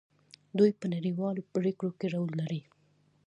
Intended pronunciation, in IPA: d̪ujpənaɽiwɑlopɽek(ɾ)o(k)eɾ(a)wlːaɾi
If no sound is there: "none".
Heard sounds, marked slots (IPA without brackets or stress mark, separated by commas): ɽ, k, a